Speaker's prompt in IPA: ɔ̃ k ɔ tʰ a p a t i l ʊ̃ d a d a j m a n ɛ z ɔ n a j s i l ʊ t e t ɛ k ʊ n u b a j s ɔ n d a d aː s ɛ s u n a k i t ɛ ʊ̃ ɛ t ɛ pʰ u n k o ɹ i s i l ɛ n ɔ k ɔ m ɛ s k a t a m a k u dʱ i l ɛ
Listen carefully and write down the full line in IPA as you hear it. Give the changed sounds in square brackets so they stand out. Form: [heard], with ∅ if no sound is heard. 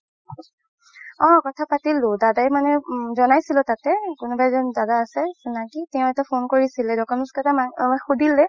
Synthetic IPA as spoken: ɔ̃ k ɔ tʰ a p a t i l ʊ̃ d a d a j m a n ɛ z ɔ n a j s i l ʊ t [a] t ɛ k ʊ n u b a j [z] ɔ n d a d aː s ɛ s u n a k i t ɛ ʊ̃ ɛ t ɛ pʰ [o] n k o ɹ i s i l ɛ [d] ɔ k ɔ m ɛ s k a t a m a [x] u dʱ i l ɛ